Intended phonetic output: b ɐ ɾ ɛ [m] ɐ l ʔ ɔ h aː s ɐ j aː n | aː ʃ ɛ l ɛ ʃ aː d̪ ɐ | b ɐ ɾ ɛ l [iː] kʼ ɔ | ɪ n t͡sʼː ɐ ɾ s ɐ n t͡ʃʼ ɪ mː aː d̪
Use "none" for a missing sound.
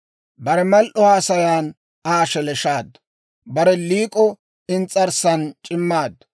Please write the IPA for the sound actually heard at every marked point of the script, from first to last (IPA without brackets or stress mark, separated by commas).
m, iː